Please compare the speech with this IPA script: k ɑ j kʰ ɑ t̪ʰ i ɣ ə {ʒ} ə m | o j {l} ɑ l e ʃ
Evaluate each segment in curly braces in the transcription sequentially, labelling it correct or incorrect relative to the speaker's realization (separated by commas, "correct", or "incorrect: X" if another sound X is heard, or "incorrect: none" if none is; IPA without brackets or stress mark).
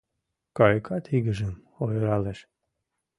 correct, incorrect: ɾ